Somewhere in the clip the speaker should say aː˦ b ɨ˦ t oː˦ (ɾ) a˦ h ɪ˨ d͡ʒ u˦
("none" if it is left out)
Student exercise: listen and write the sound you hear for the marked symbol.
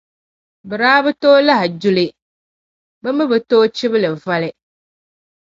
l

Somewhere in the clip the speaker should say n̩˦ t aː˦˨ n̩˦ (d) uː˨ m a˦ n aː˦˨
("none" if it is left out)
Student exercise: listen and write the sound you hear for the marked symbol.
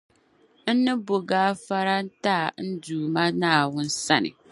d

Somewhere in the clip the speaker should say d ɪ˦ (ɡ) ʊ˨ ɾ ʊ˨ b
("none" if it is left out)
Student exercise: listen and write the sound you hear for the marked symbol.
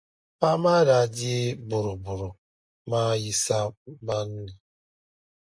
b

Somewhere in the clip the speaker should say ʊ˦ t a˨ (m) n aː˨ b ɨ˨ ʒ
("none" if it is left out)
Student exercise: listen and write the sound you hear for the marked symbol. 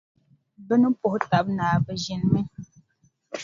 b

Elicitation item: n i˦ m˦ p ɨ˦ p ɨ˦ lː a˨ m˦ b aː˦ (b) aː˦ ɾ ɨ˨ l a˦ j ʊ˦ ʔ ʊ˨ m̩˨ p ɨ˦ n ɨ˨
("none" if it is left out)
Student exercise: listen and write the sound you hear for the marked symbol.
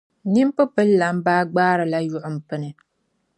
ɡ͡b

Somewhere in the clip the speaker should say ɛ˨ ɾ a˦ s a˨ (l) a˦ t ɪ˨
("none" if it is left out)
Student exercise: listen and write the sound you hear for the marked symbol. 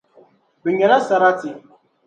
ɾ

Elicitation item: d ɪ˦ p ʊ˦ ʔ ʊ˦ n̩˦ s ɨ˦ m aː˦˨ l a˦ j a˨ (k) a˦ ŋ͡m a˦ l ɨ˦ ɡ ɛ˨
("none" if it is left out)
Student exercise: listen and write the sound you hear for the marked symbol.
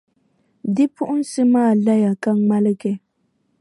k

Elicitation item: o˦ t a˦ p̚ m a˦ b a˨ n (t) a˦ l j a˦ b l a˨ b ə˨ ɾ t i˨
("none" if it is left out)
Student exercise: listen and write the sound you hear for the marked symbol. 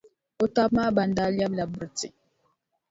d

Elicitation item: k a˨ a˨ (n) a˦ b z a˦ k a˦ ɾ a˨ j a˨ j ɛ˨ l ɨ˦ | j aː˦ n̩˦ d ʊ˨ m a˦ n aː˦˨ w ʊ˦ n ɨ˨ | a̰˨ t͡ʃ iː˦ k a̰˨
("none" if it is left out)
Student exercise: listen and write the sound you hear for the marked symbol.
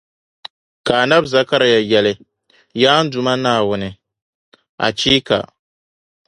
n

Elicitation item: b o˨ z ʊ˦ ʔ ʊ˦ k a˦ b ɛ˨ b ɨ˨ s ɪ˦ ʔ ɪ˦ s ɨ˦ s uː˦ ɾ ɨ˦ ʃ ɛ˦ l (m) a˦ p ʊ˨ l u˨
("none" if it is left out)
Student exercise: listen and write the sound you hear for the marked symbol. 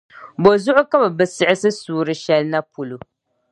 n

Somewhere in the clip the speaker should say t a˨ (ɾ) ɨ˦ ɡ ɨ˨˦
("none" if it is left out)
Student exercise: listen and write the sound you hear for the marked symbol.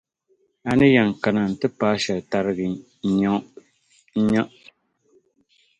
ɾ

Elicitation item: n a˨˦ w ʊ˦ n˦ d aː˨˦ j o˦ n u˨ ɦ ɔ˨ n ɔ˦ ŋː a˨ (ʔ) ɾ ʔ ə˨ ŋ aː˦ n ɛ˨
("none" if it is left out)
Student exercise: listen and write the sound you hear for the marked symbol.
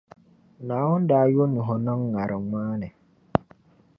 none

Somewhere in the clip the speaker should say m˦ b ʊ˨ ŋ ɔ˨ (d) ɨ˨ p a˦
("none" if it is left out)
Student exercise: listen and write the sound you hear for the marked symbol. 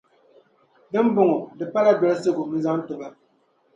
d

